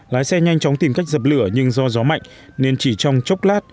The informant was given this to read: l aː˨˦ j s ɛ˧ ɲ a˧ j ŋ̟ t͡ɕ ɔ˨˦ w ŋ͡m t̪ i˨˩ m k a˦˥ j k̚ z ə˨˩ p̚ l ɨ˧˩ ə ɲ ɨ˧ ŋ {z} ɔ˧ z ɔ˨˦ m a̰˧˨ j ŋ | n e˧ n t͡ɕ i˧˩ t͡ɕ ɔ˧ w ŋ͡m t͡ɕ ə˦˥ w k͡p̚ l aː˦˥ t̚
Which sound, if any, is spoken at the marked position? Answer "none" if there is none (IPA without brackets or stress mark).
z